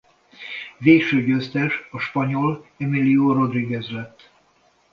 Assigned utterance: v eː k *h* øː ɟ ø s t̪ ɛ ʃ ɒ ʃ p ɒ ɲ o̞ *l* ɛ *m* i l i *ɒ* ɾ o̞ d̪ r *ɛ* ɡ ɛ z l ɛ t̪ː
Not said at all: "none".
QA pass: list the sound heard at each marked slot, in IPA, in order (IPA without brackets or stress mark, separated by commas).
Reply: ʃ, l, m, o, i